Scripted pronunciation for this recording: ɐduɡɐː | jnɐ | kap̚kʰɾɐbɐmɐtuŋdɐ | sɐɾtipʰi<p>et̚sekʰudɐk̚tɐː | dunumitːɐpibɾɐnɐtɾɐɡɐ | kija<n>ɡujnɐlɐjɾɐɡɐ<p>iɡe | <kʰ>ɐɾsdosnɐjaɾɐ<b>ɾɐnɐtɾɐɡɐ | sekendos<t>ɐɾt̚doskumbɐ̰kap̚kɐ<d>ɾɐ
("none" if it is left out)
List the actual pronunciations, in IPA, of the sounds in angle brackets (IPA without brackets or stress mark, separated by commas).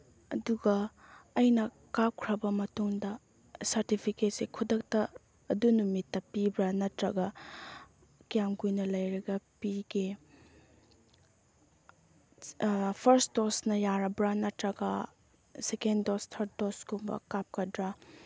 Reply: k, m, p, pʰ, b, tʰ, d